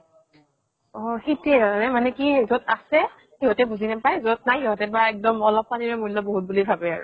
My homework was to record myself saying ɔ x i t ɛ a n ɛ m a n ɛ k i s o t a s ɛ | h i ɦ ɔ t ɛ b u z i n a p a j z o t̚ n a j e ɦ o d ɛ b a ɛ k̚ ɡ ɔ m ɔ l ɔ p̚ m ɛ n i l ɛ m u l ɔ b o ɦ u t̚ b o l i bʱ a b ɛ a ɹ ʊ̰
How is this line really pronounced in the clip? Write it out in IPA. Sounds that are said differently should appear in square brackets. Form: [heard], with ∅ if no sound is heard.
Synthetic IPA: ɔ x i t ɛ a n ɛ m a n ɛ k i [z] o t a s ɛ | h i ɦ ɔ t ɛ b u z i n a p a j z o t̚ n a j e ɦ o [t] ɛ b a ɛ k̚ [d] ɔ m ɔ l ɔ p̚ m [a] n i [ɹ] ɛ m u l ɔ b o ɦ u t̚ b [u] l i bʱ a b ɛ a ɹ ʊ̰